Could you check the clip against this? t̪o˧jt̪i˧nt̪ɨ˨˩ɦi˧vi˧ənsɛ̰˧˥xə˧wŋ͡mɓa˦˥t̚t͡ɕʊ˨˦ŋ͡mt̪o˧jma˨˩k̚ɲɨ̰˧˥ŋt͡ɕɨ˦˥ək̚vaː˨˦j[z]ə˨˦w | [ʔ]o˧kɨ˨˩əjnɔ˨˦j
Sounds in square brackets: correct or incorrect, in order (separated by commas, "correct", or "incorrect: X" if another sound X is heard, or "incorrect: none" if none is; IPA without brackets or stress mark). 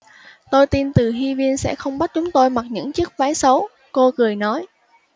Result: incorrect: s, incorrect: k